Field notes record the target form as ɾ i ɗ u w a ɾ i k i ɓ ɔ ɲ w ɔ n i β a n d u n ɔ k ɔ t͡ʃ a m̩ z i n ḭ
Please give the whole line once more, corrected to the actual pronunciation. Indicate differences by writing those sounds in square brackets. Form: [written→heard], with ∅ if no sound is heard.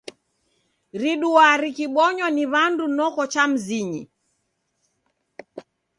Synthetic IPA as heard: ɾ i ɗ u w a ɾ i k i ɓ ɔ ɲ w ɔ n i β a n d u n ɔ k ɔ t͡ʃ a m̩ z i [n→ɲ] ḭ